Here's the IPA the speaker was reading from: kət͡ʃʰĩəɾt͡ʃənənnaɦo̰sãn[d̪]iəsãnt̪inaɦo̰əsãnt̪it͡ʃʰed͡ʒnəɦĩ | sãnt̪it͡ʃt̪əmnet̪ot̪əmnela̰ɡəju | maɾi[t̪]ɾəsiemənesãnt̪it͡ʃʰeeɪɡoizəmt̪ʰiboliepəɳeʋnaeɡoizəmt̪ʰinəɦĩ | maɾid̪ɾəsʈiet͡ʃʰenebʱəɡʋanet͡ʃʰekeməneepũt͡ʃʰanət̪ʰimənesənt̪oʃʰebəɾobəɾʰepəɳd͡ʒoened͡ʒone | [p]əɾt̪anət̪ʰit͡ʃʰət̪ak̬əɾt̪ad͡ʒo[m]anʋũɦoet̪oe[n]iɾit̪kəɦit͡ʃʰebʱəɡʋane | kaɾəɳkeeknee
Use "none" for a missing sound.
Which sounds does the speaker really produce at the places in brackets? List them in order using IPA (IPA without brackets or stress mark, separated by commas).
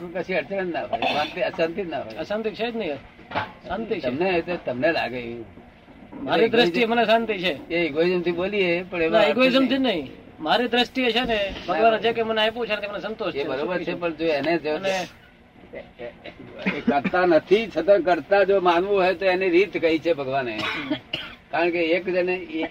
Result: t̪, d̪, k, m, n